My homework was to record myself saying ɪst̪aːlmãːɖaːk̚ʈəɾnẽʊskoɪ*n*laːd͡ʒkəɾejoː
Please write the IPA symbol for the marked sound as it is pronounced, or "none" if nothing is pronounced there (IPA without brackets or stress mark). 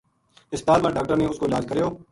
none